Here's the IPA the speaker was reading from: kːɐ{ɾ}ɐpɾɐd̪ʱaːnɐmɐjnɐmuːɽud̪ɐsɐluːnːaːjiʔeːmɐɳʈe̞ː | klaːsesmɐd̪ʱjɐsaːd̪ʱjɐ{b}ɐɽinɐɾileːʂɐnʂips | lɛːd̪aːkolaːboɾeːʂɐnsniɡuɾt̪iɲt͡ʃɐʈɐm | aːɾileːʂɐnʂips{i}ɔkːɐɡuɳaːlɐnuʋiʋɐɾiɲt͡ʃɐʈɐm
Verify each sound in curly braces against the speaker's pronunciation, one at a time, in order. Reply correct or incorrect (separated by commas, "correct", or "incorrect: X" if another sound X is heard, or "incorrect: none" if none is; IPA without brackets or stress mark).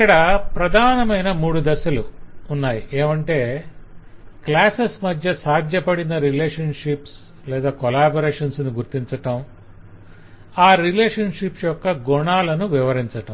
incorrect: ɽ, incorrect: p, incorrect: j